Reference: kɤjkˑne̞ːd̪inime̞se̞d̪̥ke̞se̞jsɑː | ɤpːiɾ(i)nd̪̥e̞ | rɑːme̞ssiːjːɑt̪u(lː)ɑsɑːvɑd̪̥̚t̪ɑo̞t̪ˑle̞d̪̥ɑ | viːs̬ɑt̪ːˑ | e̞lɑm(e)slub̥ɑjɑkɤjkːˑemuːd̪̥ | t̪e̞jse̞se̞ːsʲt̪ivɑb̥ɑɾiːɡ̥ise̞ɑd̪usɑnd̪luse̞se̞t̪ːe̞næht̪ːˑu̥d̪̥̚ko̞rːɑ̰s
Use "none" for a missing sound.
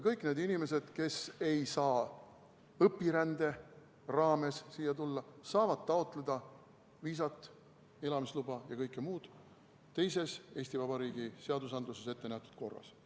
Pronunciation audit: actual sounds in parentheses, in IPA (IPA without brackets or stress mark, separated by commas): æ, lː, i